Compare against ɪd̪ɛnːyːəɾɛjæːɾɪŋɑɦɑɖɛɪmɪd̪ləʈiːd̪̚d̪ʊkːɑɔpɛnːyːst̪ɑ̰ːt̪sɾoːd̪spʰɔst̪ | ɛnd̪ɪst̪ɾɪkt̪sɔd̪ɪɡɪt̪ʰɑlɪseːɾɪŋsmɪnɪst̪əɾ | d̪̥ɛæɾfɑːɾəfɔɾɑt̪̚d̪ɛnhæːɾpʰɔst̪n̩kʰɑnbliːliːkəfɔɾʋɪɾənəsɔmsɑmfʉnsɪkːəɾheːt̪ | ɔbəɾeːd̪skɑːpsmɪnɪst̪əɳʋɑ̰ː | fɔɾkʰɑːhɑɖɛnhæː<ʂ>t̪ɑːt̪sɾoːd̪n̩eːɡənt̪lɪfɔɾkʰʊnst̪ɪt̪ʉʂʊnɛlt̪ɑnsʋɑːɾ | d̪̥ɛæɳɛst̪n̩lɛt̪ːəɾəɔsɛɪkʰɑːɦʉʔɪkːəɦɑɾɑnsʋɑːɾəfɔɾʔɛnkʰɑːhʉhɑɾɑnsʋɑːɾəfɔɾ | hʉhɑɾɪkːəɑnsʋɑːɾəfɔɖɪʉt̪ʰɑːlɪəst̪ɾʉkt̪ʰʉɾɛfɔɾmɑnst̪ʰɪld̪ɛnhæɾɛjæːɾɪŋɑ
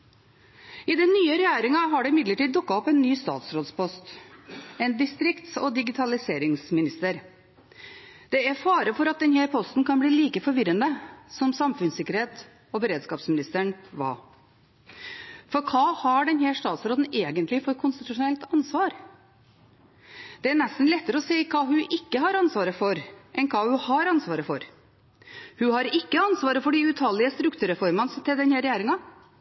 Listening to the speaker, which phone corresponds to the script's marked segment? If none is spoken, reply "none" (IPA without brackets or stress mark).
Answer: ʂ